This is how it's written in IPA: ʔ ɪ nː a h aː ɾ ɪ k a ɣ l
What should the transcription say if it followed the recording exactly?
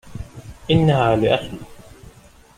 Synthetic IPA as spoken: ʔ ɪ nː a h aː l ɪ ʔ a x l